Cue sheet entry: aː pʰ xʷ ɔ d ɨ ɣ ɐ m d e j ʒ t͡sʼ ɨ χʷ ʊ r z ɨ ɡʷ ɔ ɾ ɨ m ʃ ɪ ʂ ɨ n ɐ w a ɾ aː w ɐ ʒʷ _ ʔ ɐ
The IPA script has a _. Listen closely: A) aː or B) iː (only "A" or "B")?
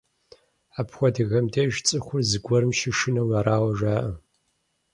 A